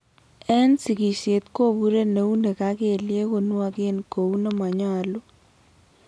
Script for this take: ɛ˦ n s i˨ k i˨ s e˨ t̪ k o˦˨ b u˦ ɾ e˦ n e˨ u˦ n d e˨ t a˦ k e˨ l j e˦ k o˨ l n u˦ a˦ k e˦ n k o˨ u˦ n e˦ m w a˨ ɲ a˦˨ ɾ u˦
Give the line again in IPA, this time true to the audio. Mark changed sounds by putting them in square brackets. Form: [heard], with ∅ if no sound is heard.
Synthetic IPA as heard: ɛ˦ n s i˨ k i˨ s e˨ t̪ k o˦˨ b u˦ ɾ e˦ n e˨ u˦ n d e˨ [k] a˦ k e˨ l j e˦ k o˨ [∅] n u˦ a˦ k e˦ n k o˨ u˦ n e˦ m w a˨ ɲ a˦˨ [l] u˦